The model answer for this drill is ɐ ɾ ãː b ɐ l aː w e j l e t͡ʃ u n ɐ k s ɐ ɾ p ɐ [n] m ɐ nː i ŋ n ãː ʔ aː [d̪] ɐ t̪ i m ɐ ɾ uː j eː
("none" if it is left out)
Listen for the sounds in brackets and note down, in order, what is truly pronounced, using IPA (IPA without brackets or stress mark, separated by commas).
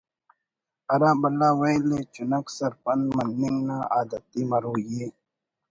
n, d̪